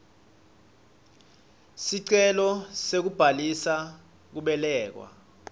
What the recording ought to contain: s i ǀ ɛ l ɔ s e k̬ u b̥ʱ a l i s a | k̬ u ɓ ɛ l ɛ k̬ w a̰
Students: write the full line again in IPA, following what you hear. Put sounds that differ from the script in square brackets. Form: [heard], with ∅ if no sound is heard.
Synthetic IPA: s i ǀ ɛ l ɔ s e k̬ u b̥ʱ a l i s a | k̬ u ɓ ɛ l [ɛː] k̬ w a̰